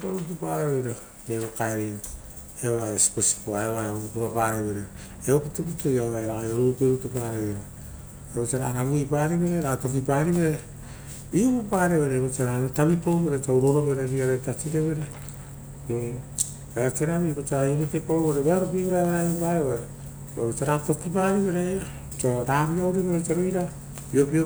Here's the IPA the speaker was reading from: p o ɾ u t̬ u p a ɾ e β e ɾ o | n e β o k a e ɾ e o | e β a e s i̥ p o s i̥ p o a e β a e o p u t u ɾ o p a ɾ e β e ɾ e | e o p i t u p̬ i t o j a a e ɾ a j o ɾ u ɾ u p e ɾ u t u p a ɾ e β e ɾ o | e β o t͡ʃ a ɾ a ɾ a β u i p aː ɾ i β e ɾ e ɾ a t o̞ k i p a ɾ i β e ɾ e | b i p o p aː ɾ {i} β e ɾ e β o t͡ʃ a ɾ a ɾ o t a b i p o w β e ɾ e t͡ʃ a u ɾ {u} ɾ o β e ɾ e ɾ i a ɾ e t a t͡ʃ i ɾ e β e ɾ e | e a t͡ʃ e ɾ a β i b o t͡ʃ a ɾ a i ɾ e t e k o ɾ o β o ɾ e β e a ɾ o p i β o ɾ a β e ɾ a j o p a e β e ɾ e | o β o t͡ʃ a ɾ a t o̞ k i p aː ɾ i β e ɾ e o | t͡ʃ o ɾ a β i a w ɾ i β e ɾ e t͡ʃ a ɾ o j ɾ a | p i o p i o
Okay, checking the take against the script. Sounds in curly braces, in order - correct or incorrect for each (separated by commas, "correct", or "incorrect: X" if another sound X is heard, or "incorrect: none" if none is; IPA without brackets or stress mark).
incorrect: e, incorrect: o